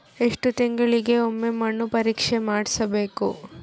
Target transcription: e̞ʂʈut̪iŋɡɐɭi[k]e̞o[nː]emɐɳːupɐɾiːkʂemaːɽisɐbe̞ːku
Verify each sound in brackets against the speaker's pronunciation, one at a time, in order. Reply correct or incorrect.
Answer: incorrect, incorrect

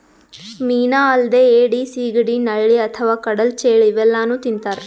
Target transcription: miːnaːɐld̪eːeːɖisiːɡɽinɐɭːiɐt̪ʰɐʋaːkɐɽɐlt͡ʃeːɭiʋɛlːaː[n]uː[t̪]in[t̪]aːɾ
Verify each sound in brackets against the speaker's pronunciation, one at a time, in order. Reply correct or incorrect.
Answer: correct, correct, correct

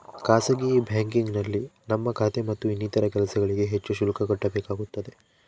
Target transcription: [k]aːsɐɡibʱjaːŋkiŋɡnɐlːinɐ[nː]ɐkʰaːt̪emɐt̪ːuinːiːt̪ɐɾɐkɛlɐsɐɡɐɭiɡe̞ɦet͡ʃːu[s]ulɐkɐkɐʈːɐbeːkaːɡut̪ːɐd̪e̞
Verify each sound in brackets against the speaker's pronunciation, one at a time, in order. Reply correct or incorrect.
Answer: correct, incorrect, incorrect

